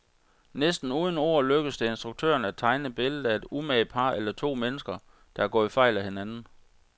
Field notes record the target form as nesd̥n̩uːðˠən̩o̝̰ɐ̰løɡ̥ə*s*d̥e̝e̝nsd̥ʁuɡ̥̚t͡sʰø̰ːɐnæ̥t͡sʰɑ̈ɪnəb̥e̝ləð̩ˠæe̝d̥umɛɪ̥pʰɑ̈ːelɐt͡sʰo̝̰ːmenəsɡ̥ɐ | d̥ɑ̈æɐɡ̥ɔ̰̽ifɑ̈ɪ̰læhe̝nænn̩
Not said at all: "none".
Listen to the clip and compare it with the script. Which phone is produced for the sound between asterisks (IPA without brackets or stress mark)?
s